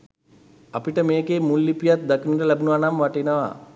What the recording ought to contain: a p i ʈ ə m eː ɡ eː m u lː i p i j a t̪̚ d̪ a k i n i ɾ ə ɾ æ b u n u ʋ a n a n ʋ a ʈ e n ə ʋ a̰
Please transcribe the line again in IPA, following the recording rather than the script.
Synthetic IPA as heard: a p i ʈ ə m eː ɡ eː m u lː i p i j a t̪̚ d̪ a k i n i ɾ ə l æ b u n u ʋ a n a m ʋ a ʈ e n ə ʋ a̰